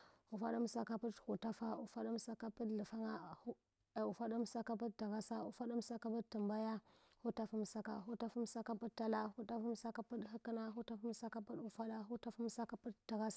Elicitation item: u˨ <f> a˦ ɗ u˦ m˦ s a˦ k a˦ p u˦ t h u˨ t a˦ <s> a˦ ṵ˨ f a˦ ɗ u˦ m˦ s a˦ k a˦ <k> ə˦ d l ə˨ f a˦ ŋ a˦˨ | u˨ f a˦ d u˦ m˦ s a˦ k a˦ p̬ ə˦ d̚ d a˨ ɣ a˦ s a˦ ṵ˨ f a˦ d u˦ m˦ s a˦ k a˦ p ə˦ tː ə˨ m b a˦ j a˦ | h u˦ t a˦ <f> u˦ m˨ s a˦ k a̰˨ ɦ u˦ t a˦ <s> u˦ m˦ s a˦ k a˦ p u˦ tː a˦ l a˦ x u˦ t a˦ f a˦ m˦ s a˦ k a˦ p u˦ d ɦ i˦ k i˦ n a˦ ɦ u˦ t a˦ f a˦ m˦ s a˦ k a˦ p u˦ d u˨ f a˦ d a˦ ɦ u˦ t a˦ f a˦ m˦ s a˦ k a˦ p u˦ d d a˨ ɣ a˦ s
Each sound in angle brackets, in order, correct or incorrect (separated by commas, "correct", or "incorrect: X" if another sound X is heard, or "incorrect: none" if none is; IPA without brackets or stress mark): correct, incorrect: f, incorrect: p, correct, incorrect: f